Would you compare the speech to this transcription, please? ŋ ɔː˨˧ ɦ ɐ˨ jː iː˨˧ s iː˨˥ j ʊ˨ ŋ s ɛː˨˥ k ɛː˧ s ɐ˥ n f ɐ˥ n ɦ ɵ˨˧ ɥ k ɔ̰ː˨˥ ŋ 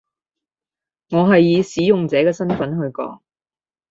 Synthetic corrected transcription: ŋ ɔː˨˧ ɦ ɐ˨ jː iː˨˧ s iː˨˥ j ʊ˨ ŋ t͡s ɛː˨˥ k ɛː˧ s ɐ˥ n f ɐ˨˥ n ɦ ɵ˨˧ ɥ k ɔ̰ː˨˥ ŋ

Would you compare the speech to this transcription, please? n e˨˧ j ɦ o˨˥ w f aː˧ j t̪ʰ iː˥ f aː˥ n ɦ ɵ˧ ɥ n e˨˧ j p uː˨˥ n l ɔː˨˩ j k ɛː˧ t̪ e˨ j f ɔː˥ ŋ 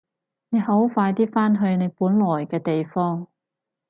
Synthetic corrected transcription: n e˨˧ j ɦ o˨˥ w f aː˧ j t̪ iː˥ f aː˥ n ɦ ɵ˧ ɥ n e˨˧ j p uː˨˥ n l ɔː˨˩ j k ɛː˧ t̪ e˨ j f ɔː˥ ŋ

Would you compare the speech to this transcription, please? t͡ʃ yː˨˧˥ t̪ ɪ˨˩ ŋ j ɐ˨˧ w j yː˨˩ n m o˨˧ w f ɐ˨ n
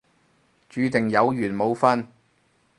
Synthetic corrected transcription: t͡ʃ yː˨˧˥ t̪ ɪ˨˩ ŋ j ɐ˨˧ w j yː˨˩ n m o˨˧ w f ɐ˥ n

